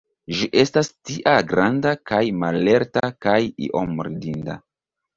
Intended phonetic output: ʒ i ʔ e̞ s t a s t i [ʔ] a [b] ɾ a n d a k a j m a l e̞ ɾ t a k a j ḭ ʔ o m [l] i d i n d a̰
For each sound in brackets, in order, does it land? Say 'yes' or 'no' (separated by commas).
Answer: yes, no, no